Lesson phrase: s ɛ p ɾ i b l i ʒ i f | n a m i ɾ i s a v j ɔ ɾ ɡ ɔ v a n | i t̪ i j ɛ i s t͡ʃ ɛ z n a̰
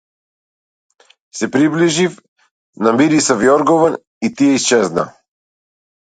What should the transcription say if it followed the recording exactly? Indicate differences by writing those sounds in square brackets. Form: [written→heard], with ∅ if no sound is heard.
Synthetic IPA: s ɛ p ɾ i b l i ʒ i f | n a m i ɾ i s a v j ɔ ɾ ɡ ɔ v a n | i t̪ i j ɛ i s t͡ʃ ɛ z n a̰